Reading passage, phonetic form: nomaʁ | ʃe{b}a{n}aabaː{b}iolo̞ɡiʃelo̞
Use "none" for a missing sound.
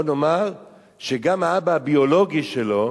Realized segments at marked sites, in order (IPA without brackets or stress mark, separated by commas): ɡ, m, b